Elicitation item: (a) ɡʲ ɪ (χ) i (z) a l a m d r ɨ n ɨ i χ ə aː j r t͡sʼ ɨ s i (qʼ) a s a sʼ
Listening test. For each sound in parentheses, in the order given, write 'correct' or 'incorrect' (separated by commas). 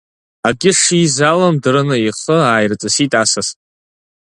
correct, incorrect, correct, incorrect